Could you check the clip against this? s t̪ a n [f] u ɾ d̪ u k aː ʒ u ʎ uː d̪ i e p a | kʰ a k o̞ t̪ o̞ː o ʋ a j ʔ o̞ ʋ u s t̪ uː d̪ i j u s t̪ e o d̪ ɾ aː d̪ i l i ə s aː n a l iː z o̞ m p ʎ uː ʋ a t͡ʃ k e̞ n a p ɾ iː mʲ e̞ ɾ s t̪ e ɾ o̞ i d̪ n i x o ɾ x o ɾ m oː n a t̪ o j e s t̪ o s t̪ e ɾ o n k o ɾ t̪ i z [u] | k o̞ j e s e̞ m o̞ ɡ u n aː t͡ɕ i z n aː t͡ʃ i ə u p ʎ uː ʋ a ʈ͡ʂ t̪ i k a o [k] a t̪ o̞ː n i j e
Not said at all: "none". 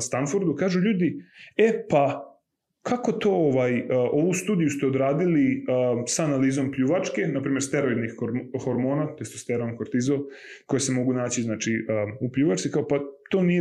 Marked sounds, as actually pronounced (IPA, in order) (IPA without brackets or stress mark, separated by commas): f, o, p